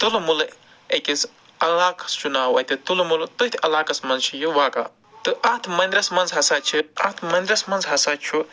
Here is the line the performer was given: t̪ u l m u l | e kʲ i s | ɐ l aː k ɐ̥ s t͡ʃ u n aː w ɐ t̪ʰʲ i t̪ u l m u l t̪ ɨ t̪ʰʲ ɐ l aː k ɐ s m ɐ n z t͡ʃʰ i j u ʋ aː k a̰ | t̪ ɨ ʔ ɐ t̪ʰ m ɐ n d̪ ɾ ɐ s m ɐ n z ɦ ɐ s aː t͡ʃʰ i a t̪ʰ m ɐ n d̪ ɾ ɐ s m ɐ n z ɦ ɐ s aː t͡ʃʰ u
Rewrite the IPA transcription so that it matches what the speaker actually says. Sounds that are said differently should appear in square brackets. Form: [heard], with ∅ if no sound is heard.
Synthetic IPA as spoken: t̪ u l m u l | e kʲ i s | ɐ l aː k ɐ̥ s t͡ʃ u n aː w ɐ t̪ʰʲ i t̪ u l m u l t̪ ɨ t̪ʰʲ ɐ l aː k ɐ s m ɐ n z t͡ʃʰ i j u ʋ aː k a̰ | t̪ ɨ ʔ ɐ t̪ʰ m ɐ n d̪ ɾ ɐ s m ɐ n z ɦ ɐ s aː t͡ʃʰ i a t̪ʰ m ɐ n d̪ ɾ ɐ s m ɐ n z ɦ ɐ s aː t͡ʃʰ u